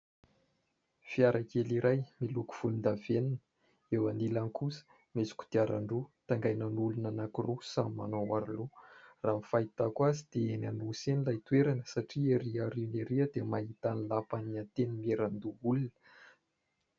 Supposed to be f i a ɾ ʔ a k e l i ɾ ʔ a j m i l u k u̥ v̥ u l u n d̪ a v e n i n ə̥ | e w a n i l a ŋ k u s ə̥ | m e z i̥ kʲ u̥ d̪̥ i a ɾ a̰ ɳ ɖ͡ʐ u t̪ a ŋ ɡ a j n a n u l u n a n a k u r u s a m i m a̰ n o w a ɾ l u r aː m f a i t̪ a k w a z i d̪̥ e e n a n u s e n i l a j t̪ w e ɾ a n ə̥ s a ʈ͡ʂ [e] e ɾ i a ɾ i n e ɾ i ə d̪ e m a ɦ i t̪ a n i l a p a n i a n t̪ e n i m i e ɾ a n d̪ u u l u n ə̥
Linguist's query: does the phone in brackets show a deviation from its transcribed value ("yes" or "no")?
yes